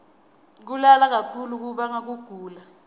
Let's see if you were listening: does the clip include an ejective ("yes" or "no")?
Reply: no